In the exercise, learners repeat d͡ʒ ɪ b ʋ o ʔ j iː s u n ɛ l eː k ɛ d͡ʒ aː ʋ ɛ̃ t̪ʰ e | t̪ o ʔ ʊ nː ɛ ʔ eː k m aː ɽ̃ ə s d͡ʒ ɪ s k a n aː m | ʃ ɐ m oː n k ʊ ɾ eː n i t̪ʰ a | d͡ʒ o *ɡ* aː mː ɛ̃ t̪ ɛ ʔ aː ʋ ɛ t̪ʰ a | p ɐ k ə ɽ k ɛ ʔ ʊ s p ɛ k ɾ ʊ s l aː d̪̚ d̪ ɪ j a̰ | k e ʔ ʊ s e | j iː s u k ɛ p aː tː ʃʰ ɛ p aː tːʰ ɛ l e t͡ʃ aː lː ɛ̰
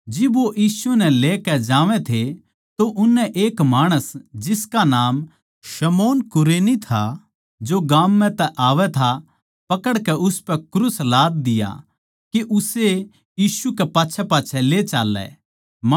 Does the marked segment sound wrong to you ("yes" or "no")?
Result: no